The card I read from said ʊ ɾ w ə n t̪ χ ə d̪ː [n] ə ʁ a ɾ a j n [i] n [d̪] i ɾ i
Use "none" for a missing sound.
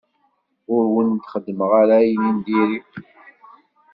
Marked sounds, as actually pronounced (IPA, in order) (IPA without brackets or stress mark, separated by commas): m, i, d̪